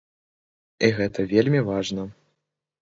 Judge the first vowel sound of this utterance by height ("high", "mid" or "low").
high